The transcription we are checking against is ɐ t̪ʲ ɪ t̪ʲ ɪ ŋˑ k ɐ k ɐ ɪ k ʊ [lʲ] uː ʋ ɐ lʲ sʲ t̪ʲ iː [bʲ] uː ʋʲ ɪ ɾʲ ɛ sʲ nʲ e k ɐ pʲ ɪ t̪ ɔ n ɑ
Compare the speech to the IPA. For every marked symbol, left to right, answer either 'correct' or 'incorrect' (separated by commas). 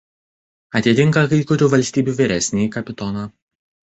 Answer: incorrect, correct